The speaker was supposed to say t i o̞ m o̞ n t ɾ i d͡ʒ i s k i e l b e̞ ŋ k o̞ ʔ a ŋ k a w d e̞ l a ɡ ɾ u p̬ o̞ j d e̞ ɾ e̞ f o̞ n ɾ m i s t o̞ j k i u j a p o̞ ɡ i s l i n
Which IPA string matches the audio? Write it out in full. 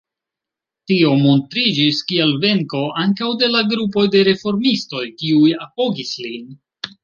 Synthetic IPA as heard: t i o̞ m o̞ n t ɾ i d͡ʒ i s k i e l v e̞ ŋ k o̞ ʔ a ŋ k a w d e̞ l a ɡ ɾ u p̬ o̞ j d e̞ ɾ e̞ f o̞ ɾ m i s t o̞ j k i u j a p o̞ ɡ i s l i n